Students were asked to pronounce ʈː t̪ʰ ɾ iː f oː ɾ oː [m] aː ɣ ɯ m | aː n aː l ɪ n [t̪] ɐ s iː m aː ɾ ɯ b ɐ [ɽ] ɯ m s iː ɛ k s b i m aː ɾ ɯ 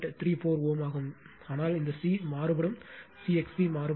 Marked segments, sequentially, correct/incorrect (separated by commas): correct, incorrect, correct